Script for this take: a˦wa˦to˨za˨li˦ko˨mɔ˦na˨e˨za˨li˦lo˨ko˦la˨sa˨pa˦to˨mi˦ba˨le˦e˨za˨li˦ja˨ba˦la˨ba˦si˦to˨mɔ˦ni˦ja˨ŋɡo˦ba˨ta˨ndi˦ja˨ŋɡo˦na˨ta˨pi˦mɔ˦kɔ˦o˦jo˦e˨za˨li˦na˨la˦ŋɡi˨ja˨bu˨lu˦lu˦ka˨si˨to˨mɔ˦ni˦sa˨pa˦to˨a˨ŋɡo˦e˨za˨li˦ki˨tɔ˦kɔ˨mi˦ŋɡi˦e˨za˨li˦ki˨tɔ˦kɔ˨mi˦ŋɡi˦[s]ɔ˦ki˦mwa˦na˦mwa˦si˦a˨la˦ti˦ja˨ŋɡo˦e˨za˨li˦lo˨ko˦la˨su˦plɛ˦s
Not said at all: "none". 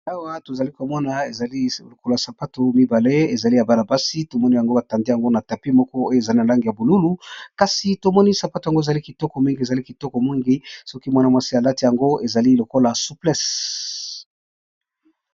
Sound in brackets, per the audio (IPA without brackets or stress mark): s